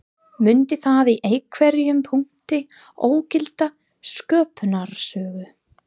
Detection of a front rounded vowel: present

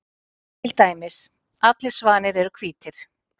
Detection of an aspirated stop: present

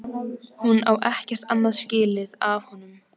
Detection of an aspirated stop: absent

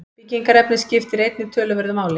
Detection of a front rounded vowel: present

